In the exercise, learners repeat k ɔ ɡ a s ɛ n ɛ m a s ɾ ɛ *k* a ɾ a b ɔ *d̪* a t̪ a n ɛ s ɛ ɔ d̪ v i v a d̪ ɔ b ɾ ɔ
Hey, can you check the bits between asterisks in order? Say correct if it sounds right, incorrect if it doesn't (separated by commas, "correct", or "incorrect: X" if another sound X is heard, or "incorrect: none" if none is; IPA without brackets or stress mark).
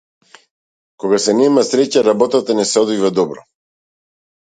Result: incorrect: c, incorrect: t̪